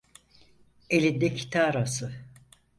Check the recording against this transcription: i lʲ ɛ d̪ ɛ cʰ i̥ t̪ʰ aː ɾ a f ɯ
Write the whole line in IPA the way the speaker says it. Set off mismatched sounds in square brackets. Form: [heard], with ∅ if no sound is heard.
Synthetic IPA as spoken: [e] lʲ [i] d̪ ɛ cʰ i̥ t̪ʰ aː ɾ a [s] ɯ

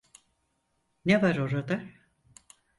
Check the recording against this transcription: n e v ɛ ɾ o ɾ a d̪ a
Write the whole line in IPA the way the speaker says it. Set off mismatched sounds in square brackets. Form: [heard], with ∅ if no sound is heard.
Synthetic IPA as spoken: n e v [a] ɾ o ɾ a d̪ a

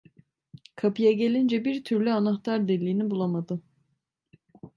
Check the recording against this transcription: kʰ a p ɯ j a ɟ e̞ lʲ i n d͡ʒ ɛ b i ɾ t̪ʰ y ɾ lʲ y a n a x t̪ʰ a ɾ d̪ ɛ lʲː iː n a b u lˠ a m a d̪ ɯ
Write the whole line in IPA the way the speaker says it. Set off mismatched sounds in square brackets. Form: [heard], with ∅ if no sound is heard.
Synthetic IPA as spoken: kʰ a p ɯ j a ɟ e̞ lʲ i n d͡ʒ ɛ b i ɾ t̪ʰ y ɾ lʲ y a n a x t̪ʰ a ɾ d̪ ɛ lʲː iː n [i] b u lˠ a m a d̪ ɯ

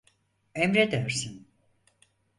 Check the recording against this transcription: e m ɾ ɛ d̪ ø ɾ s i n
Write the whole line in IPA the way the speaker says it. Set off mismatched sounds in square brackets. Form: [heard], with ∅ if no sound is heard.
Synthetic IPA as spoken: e m ɾ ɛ d̪ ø ɾ s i n

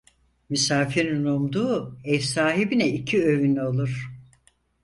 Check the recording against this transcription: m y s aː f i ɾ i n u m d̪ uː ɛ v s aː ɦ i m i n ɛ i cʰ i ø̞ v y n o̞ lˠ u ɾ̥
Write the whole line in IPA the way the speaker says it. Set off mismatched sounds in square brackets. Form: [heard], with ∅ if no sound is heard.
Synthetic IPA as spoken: m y s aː f i ɾ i n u m d̪ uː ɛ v s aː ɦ i [b] i n ɛ i cʰ i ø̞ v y n o̞ lˠ u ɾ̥

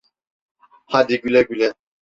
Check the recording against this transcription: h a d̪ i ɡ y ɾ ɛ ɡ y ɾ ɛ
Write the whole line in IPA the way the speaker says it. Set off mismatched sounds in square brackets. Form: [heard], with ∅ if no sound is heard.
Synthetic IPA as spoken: h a d̪ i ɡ y [l] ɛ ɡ y [l] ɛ

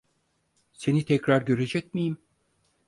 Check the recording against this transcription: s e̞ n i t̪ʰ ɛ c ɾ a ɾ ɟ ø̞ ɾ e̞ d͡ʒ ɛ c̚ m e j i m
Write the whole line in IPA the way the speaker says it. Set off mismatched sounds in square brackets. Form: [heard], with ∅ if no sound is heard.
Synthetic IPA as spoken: s e̞ n i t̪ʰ ɛ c ɾ a ɾ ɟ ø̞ ɾ e̞ d͡ʒ ɛ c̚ m [i] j i m

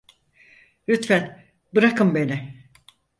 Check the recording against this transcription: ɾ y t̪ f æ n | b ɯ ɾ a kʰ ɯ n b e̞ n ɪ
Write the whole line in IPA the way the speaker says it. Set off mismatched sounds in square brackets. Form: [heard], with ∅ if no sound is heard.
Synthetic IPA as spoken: ɾ y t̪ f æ n | b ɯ ɾ a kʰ ɯ [m] b e̞ n ɪ

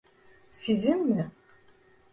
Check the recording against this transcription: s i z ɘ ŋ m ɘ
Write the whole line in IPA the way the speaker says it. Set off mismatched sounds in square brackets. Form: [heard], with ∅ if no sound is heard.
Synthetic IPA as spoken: s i z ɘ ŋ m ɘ

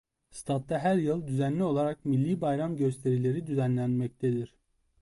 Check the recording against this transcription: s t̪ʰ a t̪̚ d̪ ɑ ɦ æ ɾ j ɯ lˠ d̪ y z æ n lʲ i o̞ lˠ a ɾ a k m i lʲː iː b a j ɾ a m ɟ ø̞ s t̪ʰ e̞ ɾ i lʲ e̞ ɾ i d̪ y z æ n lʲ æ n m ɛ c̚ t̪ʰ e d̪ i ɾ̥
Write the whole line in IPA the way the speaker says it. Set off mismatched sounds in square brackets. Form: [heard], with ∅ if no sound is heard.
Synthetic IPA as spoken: s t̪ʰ a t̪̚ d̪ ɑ ɦ æ ɾ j ɯ lˠ d̪ y z æ n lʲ i o̞ lˠ a ɾ a k m i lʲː iː b a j ɾ a m ɟ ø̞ s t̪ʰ e̞ ɾ i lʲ e̞ ɾ i d̪ y z æ n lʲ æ n m ɛ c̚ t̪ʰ e d̪ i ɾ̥

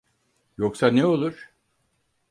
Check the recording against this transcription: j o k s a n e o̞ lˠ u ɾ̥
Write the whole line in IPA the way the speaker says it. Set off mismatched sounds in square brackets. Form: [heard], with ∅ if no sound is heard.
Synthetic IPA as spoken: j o k s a n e o̞ lˠ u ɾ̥

